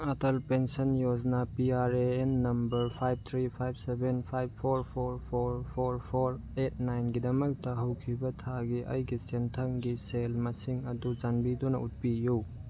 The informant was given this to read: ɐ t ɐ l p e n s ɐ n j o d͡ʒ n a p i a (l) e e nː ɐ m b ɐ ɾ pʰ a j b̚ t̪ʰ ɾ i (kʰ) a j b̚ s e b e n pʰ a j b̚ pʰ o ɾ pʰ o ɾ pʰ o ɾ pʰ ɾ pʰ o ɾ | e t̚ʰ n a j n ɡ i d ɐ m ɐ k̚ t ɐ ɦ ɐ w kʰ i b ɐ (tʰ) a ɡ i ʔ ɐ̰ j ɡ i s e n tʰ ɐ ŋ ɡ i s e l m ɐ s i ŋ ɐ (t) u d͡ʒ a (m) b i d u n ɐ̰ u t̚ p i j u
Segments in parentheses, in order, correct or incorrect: incorrect, incorrect, correct, incorrect, incorrect

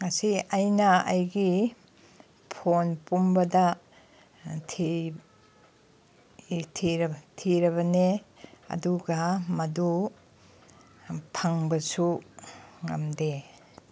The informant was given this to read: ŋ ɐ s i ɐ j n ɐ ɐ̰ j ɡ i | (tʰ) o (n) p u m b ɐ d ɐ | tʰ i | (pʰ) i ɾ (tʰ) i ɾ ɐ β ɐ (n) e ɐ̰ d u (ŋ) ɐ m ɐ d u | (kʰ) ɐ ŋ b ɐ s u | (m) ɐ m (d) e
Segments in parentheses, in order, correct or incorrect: incorrect, correct, incorrect, correct, correct, incorrect, incorrect, incorrect, correct

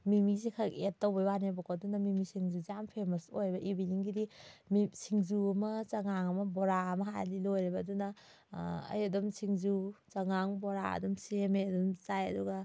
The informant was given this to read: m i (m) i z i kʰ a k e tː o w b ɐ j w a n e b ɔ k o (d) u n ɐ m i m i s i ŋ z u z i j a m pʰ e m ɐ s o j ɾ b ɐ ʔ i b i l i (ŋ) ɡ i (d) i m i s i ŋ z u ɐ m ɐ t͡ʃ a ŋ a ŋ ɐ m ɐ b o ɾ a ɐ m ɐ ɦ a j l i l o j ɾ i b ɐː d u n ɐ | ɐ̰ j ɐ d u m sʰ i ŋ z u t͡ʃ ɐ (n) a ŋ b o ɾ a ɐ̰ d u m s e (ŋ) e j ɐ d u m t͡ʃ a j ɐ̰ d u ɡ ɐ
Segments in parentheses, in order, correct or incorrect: correct, correct, correct, correct, incorrect, incorrect

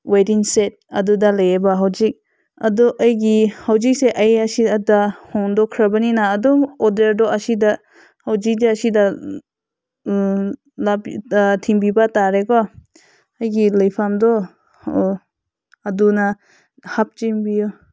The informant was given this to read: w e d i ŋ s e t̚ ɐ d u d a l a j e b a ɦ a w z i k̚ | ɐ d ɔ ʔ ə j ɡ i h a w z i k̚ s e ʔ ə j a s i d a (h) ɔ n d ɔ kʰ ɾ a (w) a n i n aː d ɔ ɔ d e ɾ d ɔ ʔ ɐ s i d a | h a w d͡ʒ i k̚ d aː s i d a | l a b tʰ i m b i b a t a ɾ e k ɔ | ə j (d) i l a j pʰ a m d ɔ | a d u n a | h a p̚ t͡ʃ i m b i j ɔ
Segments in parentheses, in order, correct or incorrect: correct, incorrect, incorrect

